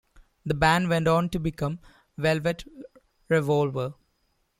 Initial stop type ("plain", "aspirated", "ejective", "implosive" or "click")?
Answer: plain